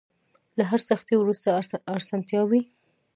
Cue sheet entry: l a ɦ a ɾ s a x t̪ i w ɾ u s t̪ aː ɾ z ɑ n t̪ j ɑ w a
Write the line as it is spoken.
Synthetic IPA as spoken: l a ɦ a ɾ s a x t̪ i w ɾ u s t̪ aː ɾ s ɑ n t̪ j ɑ w i